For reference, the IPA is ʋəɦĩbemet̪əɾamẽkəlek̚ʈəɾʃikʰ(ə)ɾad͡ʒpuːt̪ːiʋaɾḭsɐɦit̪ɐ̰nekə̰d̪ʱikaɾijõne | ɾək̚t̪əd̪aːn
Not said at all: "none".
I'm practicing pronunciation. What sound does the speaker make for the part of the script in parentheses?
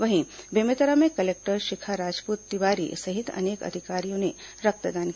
a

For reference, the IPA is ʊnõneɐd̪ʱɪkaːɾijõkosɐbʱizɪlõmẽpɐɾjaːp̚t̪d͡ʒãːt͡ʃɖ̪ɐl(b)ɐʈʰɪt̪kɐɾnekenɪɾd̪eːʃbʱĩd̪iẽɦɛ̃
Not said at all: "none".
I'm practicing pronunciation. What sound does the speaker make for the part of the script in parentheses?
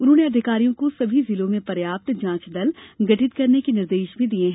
ɡ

